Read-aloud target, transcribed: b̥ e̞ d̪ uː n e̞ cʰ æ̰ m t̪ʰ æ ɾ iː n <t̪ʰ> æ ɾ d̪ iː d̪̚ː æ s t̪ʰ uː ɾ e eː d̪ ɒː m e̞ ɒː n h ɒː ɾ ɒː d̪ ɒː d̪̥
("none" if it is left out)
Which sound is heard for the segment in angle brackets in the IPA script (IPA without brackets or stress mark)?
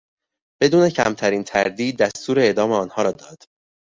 t̪ʰ